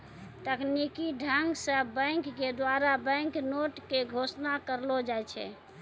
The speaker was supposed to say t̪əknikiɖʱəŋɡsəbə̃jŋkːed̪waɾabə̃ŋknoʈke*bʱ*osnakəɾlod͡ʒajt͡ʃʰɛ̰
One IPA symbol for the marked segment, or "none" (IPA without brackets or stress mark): ɡʱ